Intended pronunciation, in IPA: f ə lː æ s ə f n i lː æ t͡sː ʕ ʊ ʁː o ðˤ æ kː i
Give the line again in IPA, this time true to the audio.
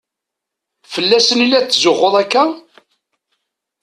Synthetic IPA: f ə lː æ s ə n i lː æ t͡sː z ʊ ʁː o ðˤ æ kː æ